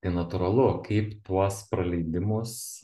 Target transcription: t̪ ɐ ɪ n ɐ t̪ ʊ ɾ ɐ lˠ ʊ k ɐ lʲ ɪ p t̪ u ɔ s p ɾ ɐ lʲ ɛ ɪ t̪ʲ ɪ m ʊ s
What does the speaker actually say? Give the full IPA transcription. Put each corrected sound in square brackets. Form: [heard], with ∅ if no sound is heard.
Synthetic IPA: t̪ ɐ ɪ n ɐ t̪ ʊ ɾ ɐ lˠ ʊ k ɐ [∅] ɪ p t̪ u ɔ s p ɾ ɐ lʲ ɛ ɪ [d̪ʲ] ɪ m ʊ s